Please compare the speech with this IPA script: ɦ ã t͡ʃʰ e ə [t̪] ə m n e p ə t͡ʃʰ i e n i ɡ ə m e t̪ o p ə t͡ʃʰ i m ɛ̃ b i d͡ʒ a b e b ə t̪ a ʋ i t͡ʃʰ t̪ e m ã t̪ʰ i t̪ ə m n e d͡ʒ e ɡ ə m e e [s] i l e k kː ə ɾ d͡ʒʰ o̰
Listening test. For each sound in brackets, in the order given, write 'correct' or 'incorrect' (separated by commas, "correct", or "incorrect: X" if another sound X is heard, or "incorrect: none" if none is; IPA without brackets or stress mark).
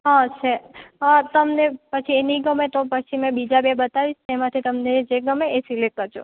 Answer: correct, correct